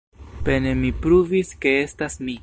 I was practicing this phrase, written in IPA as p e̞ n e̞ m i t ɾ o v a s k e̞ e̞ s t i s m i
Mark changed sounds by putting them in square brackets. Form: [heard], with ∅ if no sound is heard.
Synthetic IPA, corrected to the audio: p e̞ n e̞ m i [p] ɾ [u] v [i] s k e̞ e̞ s t [a] s m i